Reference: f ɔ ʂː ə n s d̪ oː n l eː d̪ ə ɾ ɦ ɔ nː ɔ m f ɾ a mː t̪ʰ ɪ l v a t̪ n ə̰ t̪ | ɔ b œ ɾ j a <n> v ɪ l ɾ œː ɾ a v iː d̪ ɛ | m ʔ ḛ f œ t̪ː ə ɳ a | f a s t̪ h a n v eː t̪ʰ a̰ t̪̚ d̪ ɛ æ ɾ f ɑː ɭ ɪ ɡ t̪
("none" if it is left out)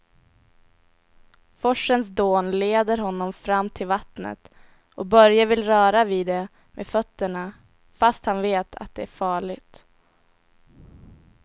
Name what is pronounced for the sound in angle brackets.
none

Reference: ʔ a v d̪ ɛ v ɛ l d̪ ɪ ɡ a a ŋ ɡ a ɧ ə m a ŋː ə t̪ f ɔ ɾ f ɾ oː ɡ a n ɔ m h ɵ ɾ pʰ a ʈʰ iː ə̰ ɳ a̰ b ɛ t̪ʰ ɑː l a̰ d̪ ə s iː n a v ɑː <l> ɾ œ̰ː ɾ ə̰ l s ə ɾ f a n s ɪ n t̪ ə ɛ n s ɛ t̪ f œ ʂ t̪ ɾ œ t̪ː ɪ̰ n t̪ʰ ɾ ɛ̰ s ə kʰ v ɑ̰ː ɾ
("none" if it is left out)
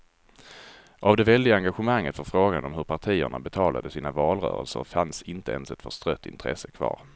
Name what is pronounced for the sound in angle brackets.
l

